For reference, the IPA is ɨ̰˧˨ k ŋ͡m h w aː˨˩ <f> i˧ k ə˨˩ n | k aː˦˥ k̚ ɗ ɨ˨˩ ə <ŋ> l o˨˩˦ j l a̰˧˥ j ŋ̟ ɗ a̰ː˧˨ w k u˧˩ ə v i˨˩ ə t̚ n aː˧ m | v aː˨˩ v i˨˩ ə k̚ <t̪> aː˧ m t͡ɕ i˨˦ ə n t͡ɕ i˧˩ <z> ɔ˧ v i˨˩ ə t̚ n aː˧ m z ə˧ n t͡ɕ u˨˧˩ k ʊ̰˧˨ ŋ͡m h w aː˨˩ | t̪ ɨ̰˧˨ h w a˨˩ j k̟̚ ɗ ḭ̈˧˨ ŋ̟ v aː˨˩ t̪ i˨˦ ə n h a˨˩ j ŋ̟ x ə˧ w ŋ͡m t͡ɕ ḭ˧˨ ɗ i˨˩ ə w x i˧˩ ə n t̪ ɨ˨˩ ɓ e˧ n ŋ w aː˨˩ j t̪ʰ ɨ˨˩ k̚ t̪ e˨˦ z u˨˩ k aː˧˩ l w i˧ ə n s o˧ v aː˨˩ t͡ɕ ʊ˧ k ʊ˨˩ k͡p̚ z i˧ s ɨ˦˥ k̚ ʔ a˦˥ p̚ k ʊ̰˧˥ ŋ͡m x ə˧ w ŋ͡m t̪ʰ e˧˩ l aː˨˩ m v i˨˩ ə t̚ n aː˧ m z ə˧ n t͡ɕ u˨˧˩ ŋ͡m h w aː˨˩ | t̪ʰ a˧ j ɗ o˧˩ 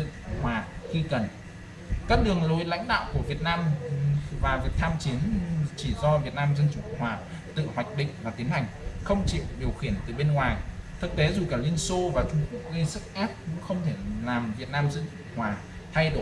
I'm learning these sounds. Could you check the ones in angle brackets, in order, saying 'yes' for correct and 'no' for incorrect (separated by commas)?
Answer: no, yes, no, yes